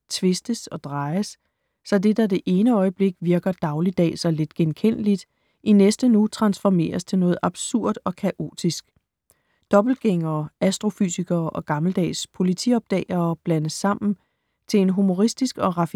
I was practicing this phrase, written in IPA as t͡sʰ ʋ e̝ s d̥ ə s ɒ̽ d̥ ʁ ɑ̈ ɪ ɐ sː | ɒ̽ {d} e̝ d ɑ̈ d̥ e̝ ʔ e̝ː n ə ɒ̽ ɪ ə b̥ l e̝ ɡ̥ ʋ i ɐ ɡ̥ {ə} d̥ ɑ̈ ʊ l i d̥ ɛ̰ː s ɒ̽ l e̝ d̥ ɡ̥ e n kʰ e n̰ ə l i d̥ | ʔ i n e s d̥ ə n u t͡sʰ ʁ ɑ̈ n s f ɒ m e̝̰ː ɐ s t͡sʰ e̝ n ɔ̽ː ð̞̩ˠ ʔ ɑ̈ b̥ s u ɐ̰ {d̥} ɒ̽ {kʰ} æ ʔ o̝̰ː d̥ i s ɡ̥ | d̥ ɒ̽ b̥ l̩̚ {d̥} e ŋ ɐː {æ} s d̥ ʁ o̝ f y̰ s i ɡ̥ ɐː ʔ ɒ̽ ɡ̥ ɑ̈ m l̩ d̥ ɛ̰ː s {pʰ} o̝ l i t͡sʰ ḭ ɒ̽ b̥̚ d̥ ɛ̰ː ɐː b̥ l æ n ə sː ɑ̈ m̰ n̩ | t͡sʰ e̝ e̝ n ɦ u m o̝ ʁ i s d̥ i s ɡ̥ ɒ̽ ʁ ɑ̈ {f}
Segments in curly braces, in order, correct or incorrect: correct, incorrect: ɐ, correct, correct, incorrect: ɡ̥, correct, correct, correct

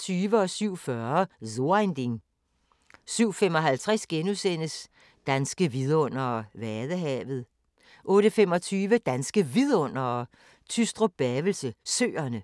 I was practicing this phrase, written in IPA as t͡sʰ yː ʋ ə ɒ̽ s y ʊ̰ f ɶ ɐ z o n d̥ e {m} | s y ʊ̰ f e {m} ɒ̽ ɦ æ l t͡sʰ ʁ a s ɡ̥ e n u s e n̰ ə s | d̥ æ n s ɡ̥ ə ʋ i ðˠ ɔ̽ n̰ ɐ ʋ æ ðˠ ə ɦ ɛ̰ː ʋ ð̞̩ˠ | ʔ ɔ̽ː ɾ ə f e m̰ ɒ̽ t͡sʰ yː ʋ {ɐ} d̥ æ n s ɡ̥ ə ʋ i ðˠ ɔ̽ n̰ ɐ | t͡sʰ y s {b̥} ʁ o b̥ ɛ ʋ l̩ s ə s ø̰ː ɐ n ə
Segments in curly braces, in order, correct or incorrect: incorrect: ŋ, correct, incorrect: ə, incorrect: d̥

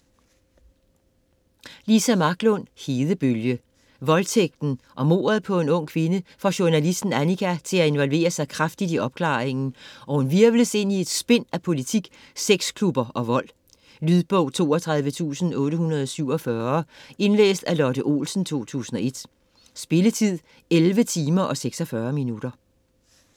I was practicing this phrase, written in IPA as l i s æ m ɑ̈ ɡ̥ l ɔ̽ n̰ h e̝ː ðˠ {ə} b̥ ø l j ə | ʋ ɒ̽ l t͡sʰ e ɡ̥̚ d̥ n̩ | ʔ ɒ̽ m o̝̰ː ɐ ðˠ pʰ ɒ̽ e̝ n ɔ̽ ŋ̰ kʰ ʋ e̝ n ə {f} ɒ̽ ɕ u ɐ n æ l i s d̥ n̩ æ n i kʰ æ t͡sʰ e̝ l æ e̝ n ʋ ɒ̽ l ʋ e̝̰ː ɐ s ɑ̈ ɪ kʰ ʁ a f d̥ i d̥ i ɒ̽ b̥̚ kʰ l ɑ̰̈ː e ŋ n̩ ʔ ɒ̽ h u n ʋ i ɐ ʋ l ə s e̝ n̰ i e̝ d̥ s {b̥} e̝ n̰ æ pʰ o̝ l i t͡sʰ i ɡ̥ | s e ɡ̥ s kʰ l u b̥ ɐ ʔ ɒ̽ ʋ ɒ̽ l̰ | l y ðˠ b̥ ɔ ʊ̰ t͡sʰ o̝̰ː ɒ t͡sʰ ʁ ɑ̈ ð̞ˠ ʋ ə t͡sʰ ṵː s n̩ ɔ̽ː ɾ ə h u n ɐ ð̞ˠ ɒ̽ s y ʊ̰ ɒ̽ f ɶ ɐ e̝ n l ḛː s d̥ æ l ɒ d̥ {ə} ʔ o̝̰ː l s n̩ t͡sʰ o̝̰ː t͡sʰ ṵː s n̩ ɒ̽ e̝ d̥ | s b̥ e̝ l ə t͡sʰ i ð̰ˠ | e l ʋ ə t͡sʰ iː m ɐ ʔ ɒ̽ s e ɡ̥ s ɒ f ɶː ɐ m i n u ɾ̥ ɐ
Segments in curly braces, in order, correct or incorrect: correct, correct, correct, correct

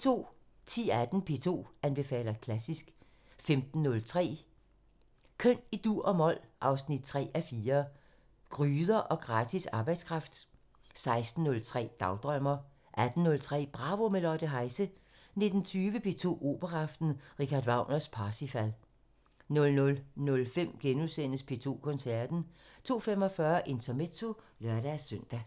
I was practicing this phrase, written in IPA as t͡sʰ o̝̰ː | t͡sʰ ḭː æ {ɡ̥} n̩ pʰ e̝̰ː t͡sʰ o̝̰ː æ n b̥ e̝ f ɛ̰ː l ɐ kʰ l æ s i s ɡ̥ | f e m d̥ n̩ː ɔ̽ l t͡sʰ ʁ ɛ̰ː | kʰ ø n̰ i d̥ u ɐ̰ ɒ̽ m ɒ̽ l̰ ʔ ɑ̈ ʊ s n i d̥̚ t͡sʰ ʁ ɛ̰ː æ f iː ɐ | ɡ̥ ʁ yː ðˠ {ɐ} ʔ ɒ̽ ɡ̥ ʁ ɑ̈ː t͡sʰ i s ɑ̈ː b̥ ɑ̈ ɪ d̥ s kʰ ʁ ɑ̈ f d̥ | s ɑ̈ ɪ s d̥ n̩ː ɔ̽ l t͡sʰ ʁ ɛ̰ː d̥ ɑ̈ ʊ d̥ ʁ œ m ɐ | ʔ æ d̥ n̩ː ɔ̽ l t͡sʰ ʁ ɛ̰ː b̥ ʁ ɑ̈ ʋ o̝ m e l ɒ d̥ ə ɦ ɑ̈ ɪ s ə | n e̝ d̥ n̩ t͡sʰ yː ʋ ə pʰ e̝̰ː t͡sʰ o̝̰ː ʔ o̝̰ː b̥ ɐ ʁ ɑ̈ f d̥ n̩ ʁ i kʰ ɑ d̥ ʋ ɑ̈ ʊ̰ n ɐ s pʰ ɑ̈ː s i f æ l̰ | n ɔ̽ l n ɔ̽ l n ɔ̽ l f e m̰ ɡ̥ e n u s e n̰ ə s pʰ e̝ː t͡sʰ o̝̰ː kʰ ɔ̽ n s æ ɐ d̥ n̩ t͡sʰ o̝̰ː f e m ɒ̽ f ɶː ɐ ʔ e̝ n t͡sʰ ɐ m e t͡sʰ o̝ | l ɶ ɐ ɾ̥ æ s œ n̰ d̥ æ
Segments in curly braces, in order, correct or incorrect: incorrect: d̥, correct

